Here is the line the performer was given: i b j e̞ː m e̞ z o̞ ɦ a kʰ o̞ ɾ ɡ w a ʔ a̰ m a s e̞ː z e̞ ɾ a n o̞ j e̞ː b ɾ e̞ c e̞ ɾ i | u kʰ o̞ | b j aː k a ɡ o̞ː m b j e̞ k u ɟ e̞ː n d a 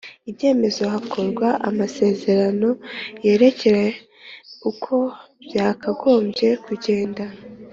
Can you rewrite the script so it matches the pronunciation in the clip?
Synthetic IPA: i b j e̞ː m e̞ z o̞ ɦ a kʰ o̞ ɾ ɡ w a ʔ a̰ m a s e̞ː z e̞ ɾ a n o̞ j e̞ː ɾ e̞ c e̞ ɾ e | u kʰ o̞ | b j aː k a ɡ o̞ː m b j e̞ k u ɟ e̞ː n d a